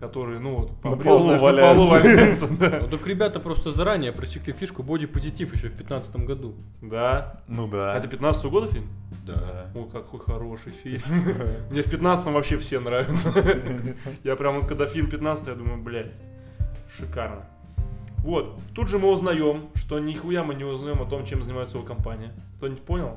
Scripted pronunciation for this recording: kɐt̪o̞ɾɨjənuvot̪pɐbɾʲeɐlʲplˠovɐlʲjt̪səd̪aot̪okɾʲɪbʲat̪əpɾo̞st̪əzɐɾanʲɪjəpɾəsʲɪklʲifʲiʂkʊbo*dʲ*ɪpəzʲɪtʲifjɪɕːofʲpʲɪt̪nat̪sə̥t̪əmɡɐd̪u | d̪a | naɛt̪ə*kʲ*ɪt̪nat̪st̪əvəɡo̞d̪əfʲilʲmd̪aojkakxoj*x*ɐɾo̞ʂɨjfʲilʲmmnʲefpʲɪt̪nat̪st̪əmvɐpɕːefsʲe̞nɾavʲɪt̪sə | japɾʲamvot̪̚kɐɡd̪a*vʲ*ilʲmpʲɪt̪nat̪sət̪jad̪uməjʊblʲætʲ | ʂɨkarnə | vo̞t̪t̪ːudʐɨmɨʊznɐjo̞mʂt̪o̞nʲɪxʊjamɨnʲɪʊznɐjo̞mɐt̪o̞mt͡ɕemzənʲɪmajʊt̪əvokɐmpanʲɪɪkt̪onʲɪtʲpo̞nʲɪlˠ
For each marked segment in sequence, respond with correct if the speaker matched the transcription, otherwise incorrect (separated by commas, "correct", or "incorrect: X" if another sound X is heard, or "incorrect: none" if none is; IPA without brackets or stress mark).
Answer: correct, incorrect: pʲ, correct, incorrect: fʲ